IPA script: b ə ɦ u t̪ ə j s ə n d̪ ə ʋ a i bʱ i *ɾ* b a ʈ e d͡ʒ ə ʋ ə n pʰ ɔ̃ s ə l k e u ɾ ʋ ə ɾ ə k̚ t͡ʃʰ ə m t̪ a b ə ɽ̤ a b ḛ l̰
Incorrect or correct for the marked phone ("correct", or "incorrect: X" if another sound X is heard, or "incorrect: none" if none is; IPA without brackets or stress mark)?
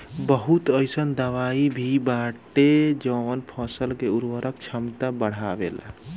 incorrect: none